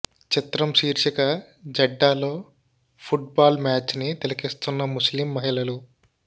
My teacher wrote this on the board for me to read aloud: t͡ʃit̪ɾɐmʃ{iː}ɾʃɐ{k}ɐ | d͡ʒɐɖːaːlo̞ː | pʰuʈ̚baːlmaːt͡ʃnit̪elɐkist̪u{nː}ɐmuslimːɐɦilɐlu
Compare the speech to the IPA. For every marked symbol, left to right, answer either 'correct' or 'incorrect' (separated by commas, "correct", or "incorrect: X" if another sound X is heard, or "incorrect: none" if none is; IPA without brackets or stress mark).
correct, correct, correct